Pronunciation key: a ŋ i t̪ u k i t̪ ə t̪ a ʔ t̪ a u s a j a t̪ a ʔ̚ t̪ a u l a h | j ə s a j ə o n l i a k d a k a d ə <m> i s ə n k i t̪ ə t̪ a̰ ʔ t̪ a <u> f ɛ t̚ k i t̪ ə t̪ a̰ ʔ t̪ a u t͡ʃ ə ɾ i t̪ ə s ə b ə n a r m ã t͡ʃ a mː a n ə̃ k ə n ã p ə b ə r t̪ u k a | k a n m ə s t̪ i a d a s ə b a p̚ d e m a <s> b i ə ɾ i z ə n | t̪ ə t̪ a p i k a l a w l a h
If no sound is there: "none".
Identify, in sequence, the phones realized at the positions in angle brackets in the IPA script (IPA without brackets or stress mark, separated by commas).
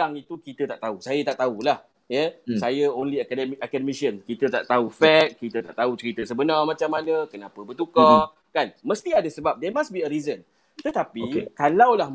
m, u, s